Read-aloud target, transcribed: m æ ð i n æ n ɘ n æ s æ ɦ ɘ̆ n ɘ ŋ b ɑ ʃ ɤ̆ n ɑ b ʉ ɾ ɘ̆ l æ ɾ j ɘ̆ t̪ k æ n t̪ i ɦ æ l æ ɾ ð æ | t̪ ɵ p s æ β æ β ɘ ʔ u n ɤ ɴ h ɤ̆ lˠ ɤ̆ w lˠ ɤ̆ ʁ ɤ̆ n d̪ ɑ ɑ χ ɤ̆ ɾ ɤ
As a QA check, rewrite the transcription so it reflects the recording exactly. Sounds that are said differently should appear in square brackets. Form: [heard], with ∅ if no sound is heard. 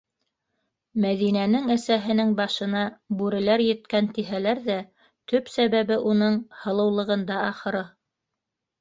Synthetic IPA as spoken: m æ ð i n æ n ɘ [ŋ] æ s æ ɦ ɘ̆ n ɘ ŋ b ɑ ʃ ɤ̆ n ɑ b ʉ ɾ ɘ̆ l æ ɾ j ɘ̆ t̪ k æ n t̪ i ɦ æ l æ ɾ ð æ | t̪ ɵ p s æ β æ β ɘ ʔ u n ɤ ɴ h ɤ̆ lˠ ɤ̆ w lˠ ɤ̆ ʁ ɤ̆ n d̪ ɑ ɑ χ ɤ̆ ɾ ɤ